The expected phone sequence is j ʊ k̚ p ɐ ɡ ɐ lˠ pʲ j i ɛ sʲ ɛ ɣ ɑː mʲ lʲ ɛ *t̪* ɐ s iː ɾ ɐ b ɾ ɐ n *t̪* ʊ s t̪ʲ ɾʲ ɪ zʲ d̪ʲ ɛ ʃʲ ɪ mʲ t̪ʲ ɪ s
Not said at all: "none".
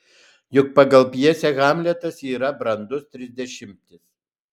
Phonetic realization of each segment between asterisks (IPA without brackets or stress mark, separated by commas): t̪, d̪